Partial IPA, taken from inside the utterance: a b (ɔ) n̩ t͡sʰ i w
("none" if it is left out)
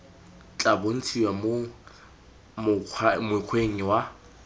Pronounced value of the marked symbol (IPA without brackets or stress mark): o